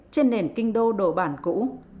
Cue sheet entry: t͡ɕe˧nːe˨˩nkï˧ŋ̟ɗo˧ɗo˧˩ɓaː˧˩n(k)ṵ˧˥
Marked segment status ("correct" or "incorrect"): correct